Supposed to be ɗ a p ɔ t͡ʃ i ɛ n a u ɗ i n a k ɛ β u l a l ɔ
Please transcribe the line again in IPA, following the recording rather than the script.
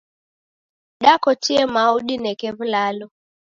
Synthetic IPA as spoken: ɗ a k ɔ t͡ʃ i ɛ m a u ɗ i n ɛ k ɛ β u l a l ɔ